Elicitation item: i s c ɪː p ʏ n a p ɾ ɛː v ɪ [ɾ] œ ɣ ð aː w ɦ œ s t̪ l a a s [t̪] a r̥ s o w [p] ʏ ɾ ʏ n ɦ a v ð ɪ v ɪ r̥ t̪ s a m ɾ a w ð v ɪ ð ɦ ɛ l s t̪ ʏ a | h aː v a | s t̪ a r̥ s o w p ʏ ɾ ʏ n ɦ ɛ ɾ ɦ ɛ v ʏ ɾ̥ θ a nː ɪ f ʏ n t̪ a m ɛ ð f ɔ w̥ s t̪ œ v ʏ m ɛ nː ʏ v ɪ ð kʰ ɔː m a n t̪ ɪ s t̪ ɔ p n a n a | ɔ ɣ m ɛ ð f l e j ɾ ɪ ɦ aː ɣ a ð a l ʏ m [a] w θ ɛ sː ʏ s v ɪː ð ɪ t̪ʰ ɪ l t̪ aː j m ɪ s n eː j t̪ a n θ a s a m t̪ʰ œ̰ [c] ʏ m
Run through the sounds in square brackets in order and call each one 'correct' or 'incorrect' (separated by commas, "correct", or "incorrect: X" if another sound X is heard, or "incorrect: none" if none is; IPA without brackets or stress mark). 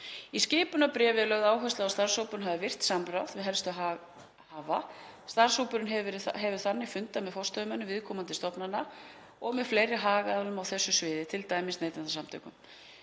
incorrect: l, correct, correct, correct, incorrect: k